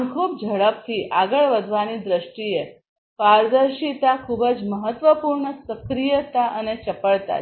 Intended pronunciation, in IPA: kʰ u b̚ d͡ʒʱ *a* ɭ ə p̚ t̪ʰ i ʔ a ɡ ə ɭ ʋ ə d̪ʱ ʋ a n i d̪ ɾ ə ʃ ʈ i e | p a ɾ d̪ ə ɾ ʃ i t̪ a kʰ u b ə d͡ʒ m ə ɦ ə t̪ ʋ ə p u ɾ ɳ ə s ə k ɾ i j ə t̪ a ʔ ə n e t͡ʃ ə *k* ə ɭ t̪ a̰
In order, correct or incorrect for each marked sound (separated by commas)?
incorrect, incorrect